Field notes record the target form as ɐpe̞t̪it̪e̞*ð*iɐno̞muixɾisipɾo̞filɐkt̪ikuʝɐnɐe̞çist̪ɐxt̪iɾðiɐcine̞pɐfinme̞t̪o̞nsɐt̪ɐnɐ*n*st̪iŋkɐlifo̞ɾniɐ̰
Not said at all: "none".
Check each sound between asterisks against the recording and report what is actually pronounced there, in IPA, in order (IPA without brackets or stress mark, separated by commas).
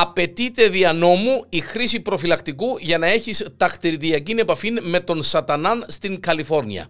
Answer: ð, n